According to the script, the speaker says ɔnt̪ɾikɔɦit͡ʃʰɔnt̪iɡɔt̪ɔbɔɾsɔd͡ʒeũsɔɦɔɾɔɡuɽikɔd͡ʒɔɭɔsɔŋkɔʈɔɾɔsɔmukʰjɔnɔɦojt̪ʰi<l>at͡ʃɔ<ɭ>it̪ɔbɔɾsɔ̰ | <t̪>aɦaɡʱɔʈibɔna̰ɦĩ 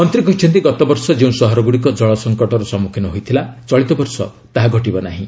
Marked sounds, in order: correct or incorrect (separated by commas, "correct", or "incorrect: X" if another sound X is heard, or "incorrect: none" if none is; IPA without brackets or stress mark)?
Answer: correct, correct, correct